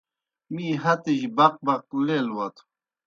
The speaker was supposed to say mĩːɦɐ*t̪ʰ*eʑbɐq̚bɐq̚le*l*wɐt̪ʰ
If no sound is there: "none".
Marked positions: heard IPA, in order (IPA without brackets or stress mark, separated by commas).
t̪, l